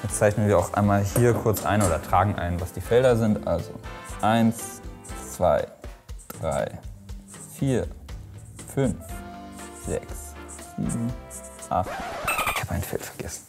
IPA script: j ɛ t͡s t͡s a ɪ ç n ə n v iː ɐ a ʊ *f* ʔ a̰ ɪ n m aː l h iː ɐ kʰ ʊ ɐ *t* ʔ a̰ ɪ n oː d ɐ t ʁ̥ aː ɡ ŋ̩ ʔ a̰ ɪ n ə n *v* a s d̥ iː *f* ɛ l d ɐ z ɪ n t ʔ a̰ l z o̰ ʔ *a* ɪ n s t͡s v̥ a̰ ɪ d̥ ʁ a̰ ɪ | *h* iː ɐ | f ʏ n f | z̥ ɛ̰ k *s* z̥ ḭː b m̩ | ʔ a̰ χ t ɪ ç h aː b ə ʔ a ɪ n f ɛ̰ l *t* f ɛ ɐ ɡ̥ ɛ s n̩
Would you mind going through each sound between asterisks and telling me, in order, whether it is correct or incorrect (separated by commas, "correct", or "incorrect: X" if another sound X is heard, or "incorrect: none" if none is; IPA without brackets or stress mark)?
incorrect: x, incorrect: t͡s, correct, correct, correct, incorrect: f, correct, correct